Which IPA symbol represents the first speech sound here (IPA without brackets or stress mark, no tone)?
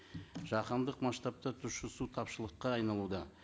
ʒ